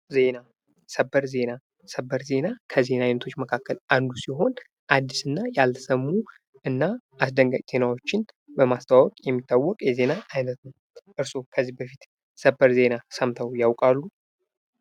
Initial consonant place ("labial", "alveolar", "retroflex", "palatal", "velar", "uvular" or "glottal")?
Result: alveolar